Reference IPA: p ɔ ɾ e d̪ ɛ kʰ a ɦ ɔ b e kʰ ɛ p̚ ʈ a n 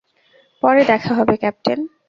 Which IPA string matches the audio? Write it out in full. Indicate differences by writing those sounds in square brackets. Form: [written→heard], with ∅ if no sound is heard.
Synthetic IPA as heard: p ɔ ɾ e d̪ ɛ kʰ a ɦ ɔ b e [kʰ→k] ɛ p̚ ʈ [a→e] n